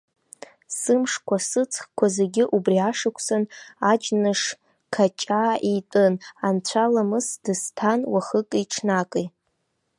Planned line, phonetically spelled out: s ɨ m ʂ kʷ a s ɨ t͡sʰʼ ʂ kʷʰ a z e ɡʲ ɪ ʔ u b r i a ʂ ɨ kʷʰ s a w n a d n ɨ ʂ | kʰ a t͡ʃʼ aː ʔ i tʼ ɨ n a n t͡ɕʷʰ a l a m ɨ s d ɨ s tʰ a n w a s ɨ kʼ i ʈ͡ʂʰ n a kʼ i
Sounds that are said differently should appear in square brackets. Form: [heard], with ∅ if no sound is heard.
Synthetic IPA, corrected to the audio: s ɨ m ʂ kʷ a s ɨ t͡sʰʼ [χ] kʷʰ a z e ɡʲ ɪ ʔ u b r i a ʂ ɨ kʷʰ s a [∅] n a [d͡ʒ] n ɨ ʂ | kʰ a t͡ʃʼ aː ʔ i tʼ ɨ n a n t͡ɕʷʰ a l a m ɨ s d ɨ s tʰ a n w a [χ] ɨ kʼ i ʈ͡ʂʰ n a kʼ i

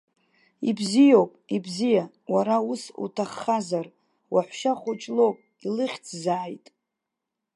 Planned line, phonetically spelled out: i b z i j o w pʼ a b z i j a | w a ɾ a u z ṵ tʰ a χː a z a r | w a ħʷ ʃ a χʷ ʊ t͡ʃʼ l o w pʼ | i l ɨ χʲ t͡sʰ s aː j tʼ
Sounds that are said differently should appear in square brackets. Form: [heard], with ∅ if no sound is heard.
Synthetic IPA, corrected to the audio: i b z i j o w pʼ [i] b z i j a | w a ɾ a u [s] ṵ tʰ a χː a z a r | w a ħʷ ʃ a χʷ ʊ t͡ʃʼ l o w pʼ | i l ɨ χʲ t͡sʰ [z] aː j tʼ

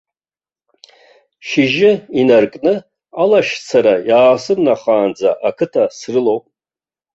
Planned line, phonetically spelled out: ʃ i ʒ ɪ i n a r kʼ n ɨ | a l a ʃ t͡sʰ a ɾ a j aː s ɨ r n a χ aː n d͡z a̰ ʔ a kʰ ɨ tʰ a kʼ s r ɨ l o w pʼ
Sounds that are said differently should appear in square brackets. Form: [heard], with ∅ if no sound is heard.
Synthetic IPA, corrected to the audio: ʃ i ʒ ɪ i n a r kʼ n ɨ | a l a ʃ t͡sʰ a ɾ a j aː s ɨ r n a χ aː n d͡z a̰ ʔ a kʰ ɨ tʰ a [∅] s r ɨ l o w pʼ

